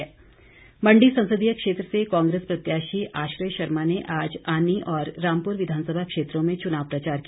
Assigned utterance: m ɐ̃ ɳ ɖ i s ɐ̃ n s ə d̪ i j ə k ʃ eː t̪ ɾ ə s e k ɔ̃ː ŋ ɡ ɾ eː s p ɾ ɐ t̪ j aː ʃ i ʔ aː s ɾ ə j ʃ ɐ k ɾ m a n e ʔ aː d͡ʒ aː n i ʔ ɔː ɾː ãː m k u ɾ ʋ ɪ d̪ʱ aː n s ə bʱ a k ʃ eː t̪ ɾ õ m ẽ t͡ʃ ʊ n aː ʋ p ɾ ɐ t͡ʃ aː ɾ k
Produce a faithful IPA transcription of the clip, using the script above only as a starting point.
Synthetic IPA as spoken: m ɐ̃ ɳ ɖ i s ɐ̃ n s ə d̪ i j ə k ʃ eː t̪ ɾ ə s e k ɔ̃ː ŋ ɡ ɾ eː s p ɾ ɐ t̪ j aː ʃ i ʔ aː ʃ ɾ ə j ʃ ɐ ɾ m a n e ʔ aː d͡ʒ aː n i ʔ ɔː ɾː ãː m p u ɾ ʋ ɪ d̪ʱ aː n s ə bʱ a k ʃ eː t̪ ɾ õ m ẽ t͡ʃ ʊ n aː ʋ p ɾ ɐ t͡ʃ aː ɾ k